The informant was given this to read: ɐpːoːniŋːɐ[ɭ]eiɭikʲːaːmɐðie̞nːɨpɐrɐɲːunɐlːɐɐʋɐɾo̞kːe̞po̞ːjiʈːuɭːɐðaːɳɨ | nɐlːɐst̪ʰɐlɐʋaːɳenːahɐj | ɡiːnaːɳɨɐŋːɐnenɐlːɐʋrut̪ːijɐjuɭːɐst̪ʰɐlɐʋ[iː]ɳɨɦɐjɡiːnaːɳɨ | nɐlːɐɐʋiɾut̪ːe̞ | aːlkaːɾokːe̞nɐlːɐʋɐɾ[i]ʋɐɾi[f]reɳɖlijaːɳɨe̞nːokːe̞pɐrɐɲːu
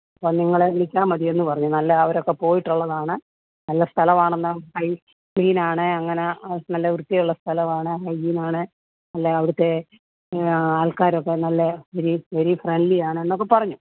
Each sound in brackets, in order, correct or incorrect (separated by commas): correct, incorrect, correct, correct